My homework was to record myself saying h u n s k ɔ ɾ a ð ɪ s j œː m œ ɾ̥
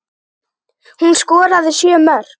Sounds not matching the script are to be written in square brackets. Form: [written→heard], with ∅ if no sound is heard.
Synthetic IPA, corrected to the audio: h u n s k [ɔ→ɔː] ɾ a ð ɪ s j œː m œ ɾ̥